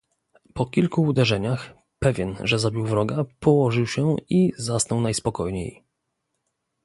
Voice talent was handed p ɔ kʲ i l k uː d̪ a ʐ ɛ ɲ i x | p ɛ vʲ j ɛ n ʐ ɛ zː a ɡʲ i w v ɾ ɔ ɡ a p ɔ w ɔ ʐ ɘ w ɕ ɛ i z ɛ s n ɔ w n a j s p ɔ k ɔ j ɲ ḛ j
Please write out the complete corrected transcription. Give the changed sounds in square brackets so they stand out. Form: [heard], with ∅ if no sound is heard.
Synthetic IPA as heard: p ɔ kʲ i l k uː d̪ [ɛ] ʐ ɛ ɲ [a] x | p ɛ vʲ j ɛ n ʐ ɛ [z] a [bʲ] i w v ɾ ɔ ɡ a p ɔ w ɔ ʐ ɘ w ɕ ɛ i z [a] s n ɔ w n a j s p ɔ k ɔ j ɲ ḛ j